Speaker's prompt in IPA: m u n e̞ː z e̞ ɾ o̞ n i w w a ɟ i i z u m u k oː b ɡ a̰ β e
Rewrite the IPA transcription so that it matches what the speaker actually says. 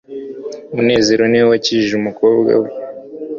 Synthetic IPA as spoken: m u n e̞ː z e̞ ɾ o̞ n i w w a c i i ʒ u m u k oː b ɡ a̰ w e